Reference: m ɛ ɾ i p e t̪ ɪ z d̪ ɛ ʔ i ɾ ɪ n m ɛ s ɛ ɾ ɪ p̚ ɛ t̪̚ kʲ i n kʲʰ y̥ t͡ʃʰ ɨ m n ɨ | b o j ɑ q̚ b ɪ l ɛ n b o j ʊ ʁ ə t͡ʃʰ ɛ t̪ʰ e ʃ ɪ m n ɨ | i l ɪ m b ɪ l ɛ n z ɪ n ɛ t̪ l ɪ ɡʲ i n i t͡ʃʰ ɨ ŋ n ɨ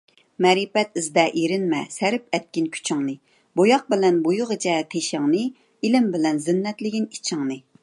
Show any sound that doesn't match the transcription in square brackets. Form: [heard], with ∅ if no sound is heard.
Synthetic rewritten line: m ɛ ɾ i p [ɛ] t̪ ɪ z d̪ ɛ ʔ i ɾ ɪ n m ɛ s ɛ ɾ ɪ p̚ ɛ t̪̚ kʲ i n kʲʰ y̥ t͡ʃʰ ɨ [ŋ] n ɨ | b o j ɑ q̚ b ɪ l ɛ n b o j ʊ ʁ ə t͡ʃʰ ɛ t̪ʰ e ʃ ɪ [ŋ] n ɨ | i l ɪ m b ɪ l ɛ n z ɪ [nː] ɛ t̪ l ɪ ɡʲ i n i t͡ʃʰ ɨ ŋ n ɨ